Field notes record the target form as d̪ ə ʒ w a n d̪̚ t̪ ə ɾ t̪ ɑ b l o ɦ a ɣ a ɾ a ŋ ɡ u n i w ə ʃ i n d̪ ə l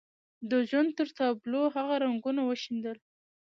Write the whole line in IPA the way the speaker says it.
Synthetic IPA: d̪ ə ʒ w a n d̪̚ t̪ ə ɾ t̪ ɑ b l o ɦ a ɣ a ɾ a ŋ ɡ u n a w ə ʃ i n d̪ ə l